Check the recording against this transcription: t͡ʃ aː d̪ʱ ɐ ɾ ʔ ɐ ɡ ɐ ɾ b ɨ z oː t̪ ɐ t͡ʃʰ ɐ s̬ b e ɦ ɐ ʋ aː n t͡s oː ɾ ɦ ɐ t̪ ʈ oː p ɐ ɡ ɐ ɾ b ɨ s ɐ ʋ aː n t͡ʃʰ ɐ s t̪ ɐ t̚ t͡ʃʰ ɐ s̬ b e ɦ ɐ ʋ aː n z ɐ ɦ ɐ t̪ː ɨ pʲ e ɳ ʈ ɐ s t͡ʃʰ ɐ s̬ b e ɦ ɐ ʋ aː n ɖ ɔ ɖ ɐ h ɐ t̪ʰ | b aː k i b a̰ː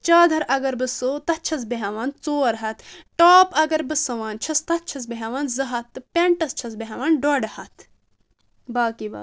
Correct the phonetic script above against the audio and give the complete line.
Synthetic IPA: t͡ʃ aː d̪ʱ ɐ ɾ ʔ ɐ ɡ ɐ ɾ b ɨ s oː t̪ ɐ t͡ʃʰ ɐ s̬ b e ɦ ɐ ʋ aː n t͡s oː ɾ ɦ ɐ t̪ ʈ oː p ɐ ɡ ɐ ɾ b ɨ s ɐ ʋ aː n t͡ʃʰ ɐ s t̪ ɐ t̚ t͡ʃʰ ɐ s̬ b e ɦ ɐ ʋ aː n z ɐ ɦ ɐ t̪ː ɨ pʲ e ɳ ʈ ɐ s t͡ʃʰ ɐ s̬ b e ɦ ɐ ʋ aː n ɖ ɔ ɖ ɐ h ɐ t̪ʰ | b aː k i b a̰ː